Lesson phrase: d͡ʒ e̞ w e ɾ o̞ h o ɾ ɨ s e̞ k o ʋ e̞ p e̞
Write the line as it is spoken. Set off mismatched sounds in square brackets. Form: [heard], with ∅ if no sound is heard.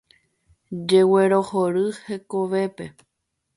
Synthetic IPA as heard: d͡ʒ e̞ w e ɾ o̞ h o ɾ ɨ [h] e̞ k o ʋ e̞ p e̞